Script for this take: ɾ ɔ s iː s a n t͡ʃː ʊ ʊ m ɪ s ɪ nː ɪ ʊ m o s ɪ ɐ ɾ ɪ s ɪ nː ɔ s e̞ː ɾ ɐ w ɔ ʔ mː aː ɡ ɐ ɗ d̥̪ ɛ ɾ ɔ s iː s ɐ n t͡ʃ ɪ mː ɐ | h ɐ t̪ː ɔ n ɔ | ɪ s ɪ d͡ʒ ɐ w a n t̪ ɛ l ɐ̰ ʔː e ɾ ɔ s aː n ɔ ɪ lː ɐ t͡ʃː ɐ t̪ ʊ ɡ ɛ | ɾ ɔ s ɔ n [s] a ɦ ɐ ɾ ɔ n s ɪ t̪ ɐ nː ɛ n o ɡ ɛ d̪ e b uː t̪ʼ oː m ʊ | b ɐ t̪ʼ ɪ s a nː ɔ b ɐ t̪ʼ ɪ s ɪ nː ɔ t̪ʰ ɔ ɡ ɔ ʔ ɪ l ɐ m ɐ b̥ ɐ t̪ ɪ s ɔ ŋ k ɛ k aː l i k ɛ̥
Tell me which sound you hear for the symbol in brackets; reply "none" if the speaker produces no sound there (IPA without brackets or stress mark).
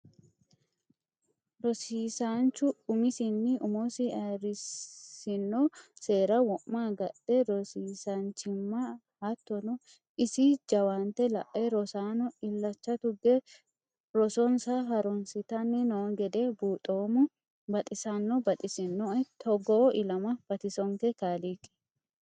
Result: s